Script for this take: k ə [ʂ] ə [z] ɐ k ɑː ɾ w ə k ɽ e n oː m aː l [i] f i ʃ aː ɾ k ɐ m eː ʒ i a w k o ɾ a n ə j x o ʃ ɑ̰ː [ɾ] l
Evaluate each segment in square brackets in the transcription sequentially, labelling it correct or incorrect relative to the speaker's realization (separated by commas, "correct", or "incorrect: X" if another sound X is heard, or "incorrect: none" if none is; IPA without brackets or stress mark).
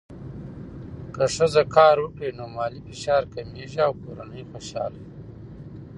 correct, correct, correct, incorrect: none